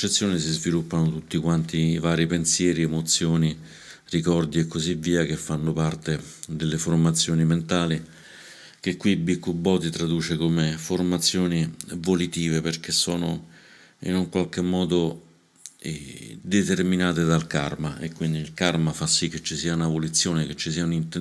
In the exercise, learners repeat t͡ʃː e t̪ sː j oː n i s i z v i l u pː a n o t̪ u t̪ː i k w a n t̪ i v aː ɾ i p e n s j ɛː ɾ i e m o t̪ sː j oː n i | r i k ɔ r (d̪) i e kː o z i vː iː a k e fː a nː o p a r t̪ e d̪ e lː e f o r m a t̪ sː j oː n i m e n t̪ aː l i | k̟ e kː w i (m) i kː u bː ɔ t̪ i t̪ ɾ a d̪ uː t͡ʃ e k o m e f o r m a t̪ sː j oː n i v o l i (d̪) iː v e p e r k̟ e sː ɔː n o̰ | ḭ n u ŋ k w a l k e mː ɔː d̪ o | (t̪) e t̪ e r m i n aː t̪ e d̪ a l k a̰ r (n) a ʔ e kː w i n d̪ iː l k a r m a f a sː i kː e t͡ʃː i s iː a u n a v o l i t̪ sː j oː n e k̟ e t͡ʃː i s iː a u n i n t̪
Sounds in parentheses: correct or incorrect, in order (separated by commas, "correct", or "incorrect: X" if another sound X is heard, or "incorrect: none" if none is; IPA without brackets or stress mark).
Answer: correct, incorrect: b, incorrect: t̪, incorrect: d̪, incorrect: m